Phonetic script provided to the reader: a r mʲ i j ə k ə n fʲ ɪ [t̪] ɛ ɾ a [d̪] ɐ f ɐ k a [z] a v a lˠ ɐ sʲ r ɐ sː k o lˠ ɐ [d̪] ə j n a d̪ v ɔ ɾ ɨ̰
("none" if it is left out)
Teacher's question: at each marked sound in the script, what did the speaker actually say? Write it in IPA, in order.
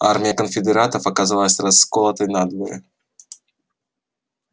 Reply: d̪, t̪, z, t̪

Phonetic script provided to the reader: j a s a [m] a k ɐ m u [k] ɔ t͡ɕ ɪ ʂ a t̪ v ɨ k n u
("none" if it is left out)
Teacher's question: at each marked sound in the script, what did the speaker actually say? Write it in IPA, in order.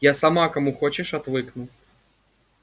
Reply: m, x

